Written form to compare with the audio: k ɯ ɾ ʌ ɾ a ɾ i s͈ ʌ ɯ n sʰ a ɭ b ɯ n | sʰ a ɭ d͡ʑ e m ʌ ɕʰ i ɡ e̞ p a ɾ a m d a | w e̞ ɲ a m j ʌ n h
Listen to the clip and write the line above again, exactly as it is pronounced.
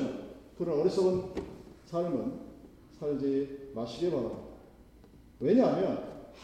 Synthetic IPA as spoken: k ɯ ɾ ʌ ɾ ʌ ɾ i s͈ ʌ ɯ n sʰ a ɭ m ɯ n | sʰ a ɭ d͡ʑ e m a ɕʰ i ɡ e̞ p a ɾ a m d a | w e̞ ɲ a m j ʌ n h